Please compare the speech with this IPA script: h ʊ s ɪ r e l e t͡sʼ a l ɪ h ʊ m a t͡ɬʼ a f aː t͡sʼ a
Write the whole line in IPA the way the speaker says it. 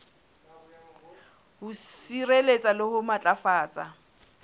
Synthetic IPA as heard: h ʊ s i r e l e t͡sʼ a l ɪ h ʊ m a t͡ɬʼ a f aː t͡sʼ a